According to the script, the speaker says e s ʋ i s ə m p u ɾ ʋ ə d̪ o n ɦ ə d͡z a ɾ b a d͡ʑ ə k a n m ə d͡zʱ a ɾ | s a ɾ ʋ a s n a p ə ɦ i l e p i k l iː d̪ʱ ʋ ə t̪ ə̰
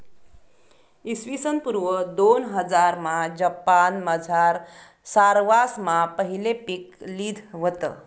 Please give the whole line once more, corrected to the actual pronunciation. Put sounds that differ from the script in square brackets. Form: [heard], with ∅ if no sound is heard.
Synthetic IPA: [i] s ʋ i s ə [n] p u ɾ ʋ ə d̪ o n ɦ ə d͡z a ɾ [m] a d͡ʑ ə [p] a n m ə d͡zʱ a ɾ | s a ɾ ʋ a s [m] a p ə ɦ i l e p i k l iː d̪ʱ ʋ ə t̪ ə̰